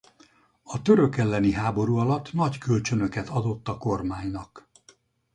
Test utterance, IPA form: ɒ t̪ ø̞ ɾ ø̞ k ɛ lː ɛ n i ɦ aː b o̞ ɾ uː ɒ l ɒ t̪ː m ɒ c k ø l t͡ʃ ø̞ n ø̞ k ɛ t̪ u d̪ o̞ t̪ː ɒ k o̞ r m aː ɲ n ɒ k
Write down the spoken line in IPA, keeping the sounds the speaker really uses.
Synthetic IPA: ɒ t̪ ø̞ ɾ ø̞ k ɛ lː ɛ n i ɦ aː b o̞ ɾ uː ɒ l ɒ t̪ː n ɒ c k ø l t͡ʃ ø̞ n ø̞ k ɛ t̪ ɒ d̪ o̞ t̪ː ɒ k o̞ r m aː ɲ n ɒ k